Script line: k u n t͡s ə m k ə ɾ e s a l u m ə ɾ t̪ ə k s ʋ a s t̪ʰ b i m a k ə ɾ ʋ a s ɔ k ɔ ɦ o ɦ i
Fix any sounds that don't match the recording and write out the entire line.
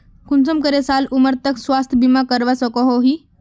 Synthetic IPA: k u n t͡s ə m k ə ɾ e s a l u m ə ɾ t̪ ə k s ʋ a s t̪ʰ b i m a k ə ɾ ʋ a s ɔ k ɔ ɦ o ɦ i